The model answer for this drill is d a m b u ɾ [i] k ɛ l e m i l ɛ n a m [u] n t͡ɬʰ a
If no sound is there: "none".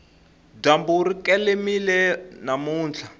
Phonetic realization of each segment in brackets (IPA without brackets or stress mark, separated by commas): i, uː